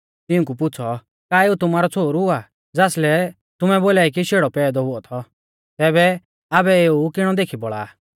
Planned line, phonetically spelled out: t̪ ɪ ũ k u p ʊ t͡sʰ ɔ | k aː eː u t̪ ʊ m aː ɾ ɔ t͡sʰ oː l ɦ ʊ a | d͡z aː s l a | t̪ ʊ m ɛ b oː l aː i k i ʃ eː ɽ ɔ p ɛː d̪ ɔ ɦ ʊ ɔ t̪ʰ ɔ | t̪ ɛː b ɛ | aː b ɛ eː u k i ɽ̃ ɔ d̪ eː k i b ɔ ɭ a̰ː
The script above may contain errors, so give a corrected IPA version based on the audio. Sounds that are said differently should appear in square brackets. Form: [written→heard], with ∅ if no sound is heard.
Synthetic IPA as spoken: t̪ ɪ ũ k u p ʊ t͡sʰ ɔ | k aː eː u t̪ ʊ m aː ɾ ɔ t͡sʰ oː [l→ɾ] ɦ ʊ a | d͡z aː s l [a→ɛ] | t̪ ʊ m ɛ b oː l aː i k i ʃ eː ɽ ɔ p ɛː d̪ ɔ ɦ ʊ ɔ t̪ʰ ɔ | t̪ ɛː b ɛ | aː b ɛ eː u k [i→ɪ] ɽ̃ ɔ d̪ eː [k→kʰ] i b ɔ ɭ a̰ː